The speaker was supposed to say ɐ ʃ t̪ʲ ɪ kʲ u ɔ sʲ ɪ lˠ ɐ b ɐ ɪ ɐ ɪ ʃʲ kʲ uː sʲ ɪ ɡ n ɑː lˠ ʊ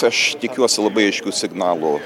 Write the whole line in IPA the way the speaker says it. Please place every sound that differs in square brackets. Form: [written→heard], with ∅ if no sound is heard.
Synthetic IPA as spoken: ɐ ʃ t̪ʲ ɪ kʲ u ɔ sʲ ɪ lˠ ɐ b ɐ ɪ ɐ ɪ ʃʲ kʲ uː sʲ ɪ ɡ n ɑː lˠ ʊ